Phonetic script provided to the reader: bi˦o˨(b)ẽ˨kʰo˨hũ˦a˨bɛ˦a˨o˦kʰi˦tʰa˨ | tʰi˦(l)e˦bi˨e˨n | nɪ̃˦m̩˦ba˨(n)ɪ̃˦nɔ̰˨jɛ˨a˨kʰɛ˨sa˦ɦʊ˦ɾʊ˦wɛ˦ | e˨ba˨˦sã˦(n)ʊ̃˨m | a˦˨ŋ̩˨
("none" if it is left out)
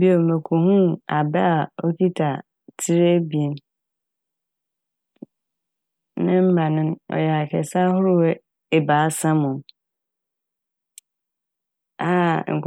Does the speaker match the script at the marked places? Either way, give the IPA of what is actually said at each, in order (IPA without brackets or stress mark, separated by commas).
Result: m, ɾ, n, m